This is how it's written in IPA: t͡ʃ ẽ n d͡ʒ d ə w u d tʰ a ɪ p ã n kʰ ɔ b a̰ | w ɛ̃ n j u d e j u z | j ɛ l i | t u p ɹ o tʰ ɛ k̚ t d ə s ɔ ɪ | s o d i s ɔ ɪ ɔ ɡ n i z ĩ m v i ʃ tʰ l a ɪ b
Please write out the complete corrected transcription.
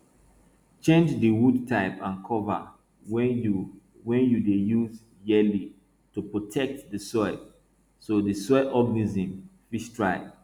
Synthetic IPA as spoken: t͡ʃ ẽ n d͡ʒ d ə w u d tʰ a ɪ p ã n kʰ ɔ v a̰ | w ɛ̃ n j u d e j u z | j ɛ l i | t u p ɹ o tʰ ɛ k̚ t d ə s ɔ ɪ | s o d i s ɔ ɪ ɔ ɡ n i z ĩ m f i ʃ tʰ ɹ a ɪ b